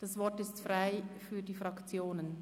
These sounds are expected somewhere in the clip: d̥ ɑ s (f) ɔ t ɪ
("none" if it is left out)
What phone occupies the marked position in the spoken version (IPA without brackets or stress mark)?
v